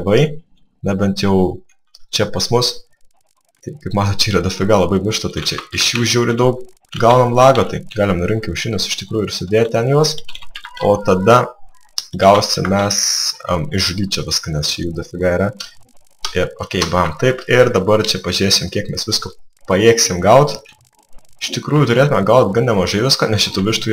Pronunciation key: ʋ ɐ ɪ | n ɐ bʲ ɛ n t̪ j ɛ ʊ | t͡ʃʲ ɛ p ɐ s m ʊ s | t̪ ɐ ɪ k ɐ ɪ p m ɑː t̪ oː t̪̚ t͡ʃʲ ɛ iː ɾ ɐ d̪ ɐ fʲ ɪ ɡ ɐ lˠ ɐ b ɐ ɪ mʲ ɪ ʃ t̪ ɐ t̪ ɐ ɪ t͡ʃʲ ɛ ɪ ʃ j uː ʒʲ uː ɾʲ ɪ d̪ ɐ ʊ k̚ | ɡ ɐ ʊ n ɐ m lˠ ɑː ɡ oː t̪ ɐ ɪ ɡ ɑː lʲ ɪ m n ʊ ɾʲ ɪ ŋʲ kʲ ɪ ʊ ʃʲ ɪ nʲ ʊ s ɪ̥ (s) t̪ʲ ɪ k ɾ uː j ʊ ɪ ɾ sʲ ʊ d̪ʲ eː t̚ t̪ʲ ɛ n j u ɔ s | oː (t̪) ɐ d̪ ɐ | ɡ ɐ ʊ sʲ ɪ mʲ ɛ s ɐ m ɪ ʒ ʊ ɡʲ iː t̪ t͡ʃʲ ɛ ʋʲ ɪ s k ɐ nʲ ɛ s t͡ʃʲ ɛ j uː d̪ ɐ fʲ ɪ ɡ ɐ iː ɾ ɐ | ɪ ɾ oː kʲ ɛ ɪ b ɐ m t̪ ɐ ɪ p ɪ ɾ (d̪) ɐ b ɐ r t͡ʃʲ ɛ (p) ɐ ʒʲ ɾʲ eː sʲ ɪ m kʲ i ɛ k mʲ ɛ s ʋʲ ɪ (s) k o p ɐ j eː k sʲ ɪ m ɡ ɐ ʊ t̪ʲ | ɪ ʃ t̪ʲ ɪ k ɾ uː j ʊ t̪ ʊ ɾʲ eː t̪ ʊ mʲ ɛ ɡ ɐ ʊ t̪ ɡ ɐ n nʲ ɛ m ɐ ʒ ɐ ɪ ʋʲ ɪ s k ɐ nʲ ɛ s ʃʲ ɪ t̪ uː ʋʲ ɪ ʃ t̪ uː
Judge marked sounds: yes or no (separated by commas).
no, yes, yes, yes, yes